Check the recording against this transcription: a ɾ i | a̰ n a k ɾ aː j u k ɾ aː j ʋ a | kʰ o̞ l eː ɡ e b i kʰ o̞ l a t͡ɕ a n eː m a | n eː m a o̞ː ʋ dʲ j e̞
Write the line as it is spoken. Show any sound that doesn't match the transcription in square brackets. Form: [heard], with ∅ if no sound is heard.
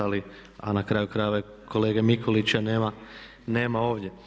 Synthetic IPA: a [l] i | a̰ n a k ɾ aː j u k ɾ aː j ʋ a | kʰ o̞ l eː ɡ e [m] i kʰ o̞ l [i] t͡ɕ a n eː m a | n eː m a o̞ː ʋ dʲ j e̞